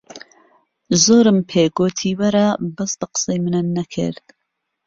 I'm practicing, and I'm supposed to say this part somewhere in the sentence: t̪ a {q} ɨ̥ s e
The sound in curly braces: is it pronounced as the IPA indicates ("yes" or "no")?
yes